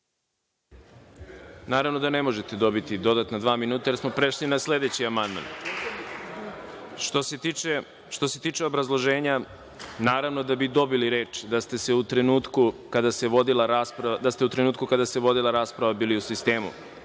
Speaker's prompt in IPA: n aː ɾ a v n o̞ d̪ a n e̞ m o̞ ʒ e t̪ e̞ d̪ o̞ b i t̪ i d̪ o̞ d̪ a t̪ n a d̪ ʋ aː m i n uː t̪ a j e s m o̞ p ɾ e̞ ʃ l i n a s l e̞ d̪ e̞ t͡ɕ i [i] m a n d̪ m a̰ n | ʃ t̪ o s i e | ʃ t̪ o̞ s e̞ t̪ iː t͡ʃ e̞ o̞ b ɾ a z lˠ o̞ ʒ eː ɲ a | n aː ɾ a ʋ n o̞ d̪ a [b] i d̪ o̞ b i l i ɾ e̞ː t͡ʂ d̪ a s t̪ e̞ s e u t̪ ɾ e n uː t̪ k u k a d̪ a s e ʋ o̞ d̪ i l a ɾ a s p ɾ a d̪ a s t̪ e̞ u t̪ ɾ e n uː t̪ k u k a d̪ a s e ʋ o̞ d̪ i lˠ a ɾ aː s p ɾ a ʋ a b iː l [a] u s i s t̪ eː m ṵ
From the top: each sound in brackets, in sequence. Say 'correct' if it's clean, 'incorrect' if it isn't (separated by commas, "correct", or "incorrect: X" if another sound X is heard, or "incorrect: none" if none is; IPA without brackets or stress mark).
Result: incorrect: a, correct, incorrect: i